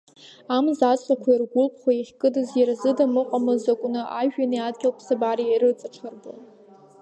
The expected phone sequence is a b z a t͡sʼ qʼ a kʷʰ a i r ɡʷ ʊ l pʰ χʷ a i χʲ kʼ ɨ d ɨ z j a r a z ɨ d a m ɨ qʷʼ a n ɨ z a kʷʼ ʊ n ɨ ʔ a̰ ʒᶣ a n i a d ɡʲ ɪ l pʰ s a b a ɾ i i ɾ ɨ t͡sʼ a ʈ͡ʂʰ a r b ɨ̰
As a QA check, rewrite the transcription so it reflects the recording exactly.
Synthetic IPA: a m z a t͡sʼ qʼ a kʷʰ a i r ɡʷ ʊ l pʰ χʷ a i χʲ kʼ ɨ d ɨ z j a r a z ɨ d a m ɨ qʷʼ a m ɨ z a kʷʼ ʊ n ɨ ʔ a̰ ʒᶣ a n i a d ɡʲ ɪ l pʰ s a b a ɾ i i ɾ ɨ t͡sʼ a ʈ͡ʂʰ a r b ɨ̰